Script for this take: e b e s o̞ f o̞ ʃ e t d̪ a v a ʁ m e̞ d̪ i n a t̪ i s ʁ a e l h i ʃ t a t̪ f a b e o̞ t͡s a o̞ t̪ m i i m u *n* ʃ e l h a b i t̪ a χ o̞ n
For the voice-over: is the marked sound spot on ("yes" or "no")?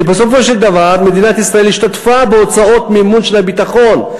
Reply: yes